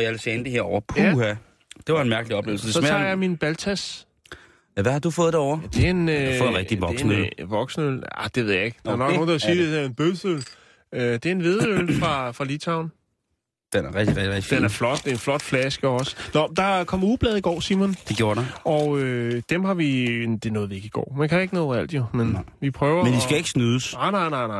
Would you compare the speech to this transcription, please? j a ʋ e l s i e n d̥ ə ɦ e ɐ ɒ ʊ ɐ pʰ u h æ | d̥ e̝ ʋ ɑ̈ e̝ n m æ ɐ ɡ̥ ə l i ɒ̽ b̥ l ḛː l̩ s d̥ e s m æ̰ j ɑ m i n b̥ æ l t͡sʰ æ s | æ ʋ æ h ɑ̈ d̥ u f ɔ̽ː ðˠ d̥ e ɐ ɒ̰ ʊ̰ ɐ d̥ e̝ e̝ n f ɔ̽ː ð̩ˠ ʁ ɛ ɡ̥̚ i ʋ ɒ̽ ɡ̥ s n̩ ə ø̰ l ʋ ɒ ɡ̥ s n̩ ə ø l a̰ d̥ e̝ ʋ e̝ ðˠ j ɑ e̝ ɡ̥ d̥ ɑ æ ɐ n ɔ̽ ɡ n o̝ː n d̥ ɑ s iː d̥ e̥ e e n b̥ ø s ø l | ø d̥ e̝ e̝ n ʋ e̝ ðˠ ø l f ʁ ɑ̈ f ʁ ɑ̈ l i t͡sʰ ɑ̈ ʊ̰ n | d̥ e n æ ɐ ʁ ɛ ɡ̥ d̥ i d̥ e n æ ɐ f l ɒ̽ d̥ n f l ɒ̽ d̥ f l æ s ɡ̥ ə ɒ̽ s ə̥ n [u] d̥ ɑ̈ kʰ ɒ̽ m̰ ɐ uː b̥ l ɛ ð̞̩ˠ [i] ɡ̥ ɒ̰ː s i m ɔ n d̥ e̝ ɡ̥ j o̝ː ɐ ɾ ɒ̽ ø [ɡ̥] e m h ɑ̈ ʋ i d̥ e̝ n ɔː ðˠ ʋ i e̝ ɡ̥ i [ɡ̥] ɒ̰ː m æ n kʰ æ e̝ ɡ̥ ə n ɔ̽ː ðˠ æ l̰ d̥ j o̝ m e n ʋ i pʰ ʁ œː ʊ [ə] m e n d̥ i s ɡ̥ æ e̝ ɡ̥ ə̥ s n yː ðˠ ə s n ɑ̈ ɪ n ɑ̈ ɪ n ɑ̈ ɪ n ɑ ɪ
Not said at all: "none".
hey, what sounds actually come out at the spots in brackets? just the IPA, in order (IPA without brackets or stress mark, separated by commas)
ɒ, i, d̥, ɡ̥, ɐ